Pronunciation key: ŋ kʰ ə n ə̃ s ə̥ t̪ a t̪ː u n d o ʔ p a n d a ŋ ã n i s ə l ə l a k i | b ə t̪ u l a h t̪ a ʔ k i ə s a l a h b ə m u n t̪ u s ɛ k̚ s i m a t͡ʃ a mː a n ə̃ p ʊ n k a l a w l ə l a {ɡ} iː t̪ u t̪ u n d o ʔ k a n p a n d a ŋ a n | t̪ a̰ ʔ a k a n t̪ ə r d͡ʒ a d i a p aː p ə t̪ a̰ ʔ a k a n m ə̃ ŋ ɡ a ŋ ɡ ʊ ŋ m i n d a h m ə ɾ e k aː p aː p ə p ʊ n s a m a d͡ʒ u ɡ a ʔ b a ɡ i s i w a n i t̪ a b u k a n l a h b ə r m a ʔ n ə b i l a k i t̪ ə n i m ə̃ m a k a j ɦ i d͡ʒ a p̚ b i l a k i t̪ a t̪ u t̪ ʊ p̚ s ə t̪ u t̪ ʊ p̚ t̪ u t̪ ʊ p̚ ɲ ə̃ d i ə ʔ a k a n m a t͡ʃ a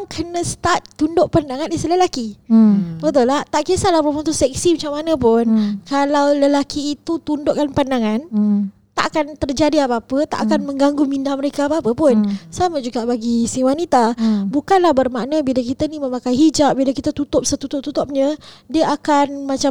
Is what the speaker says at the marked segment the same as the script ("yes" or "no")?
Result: no